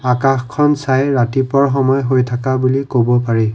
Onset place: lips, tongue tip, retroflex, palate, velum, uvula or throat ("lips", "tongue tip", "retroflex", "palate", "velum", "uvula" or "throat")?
velum